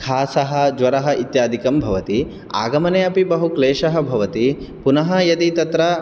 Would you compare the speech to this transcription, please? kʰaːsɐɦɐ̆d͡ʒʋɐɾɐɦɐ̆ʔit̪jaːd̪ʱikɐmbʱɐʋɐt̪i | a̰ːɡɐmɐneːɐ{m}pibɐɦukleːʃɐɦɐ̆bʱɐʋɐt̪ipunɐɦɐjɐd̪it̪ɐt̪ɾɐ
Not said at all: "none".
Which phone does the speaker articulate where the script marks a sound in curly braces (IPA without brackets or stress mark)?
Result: none